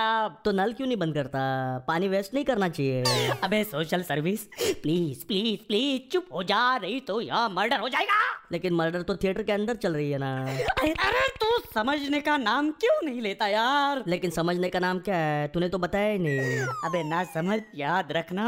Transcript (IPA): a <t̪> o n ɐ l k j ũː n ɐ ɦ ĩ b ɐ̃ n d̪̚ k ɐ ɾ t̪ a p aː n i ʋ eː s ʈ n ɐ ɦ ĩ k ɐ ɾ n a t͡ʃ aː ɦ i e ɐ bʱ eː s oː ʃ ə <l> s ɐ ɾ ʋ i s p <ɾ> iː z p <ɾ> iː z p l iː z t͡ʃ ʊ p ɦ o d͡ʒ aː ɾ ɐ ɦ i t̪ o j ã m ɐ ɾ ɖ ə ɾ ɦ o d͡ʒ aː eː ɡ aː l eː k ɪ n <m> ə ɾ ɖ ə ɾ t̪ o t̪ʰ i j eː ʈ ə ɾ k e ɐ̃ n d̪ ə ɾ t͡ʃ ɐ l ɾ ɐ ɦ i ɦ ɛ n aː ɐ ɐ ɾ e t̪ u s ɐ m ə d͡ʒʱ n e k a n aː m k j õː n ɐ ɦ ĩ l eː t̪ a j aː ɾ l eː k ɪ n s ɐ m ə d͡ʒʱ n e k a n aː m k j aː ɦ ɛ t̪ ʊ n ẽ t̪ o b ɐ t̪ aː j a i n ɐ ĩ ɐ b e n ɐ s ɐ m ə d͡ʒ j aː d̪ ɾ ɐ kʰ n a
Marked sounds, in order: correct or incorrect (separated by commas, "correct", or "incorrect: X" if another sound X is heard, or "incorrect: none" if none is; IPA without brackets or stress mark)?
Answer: correct, correct, incorrect: l, incorrect: l, correct